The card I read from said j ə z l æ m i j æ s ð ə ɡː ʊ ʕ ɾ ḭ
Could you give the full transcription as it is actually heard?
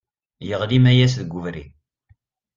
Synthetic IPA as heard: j ə ʁ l i m æ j æ s ð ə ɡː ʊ v ɾ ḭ